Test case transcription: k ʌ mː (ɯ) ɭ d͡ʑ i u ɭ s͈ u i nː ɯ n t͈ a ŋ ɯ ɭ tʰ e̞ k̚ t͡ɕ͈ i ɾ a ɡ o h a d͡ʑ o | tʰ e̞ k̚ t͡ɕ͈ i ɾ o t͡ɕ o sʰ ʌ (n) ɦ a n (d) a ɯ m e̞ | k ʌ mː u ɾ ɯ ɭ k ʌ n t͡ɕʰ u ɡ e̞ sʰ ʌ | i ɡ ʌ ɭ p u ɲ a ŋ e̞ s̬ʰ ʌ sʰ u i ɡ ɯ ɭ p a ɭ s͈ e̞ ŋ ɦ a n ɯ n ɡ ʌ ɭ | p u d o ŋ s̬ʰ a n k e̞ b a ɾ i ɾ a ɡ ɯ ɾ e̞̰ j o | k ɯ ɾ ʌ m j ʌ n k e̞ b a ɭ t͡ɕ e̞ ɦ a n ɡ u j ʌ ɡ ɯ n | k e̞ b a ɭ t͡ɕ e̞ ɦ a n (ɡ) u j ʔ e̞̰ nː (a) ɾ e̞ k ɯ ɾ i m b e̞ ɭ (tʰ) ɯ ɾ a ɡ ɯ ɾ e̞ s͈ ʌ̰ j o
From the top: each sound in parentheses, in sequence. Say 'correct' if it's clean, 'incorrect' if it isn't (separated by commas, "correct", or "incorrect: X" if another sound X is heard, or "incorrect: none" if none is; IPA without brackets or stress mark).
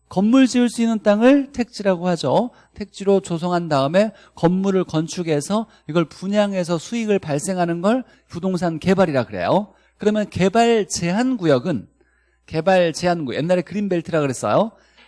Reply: incorrect: u, incorrect: ŋ, correct, correct, correct, correct